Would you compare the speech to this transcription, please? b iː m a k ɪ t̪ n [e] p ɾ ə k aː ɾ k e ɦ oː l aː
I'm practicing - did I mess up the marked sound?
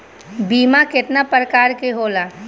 yes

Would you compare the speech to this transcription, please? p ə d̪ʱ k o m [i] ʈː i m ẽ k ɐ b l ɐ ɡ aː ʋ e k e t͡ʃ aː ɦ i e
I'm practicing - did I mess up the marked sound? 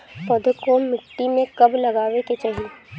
yes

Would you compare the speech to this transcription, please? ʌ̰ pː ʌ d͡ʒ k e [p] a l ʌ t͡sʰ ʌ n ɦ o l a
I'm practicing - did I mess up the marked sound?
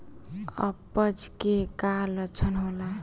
yes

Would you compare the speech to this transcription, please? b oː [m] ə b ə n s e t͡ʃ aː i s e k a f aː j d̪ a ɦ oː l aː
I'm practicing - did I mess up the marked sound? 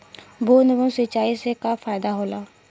yes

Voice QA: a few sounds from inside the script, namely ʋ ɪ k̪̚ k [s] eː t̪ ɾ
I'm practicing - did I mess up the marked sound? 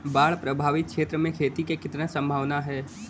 yes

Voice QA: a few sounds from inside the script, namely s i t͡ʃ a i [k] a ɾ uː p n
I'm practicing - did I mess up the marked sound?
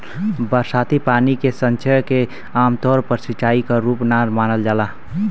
no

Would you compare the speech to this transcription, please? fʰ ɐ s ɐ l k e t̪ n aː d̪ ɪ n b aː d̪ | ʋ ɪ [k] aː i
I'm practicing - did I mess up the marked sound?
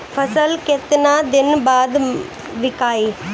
no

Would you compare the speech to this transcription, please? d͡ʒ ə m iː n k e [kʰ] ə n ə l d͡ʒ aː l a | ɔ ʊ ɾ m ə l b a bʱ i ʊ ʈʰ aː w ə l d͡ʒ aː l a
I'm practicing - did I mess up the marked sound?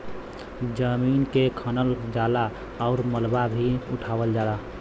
no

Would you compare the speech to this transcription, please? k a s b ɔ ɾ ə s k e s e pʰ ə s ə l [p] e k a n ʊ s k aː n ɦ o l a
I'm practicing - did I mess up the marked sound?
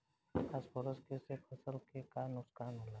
yes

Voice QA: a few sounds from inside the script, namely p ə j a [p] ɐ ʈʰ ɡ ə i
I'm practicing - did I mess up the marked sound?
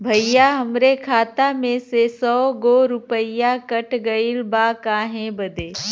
yes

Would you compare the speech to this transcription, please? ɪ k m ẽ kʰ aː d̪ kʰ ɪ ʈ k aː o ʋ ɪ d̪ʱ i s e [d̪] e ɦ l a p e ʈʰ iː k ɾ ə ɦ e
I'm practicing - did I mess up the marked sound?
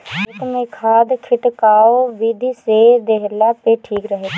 no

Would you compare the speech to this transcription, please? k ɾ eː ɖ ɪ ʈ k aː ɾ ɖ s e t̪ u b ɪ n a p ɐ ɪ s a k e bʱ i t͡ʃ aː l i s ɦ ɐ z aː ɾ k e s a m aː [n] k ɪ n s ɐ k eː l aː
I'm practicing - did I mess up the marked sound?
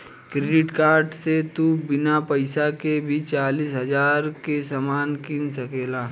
no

